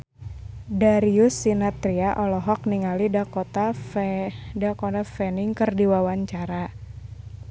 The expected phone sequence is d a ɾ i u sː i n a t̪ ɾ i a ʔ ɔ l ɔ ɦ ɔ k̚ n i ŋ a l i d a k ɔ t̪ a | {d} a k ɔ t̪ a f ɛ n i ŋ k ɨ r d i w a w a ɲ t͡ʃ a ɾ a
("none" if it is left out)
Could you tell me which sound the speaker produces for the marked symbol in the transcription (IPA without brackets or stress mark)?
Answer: d